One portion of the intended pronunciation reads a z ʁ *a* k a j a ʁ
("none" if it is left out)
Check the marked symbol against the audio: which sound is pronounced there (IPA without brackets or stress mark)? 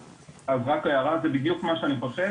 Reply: a